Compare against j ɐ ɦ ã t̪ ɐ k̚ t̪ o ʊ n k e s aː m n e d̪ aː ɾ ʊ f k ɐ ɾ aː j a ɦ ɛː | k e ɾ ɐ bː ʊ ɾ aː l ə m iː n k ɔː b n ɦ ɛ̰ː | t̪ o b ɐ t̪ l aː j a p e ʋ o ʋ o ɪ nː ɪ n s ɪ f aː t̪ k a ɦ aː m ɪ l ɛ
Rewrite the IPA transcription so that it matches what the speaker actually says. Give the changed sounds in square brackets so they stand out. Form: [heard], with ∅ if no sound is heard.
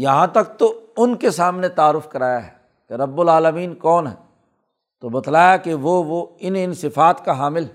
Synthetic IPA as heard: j ɐ ɦ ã t̪ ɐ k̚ t̪ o ʊ n k e s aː m n e [t̪] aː ɾ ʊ f k ɐ ɾ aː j a ɦ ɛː | k e ɾ ɐ bː ʊ [l] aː l ə m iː n k ɔː [∅] n ɦ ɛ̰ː | t̪ o b ɐ t̪ l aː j a [k] e ʋ o ʋ o ɪ [n] ɪ n s ɪ f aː t̪ k a ɦ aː m ɪ l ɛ